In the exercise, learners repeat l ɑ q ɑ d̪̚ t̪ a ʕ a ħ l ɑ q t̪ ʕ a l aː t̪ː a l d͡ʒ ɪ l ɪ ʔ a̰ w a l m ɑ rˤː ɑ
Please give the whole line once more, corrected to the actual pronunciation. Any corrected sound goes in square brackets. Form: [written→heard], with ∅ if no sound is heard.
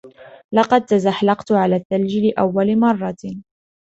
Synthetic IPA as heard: l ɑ q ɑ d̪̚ t̪ a [ʕ→z] a ħ l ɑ q t̪ ʕ a l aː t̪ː a l d͡ʒ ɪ l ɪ ʔ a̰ [w→wː] a l m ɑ rˤː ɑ